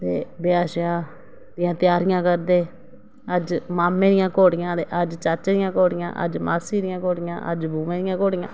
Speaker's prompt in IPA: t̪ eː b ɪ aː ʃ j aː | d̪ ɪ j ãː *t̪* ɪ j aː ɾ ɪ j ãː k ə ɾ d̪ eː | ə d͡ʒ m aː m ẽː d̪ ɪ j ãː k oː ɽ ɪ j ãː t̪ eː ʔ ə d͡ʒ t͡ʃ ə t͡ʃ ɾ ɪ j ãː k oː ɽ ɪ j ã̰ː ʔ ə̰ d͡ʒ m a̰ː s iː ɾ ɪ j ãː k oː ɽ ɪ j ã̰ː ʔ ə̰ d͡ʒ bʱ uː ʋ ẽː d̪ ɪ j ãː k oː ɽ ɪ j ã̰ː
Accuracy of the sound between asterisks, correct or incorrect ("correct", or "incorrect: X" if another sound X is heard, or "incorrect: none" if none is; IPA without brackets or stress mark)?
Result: correct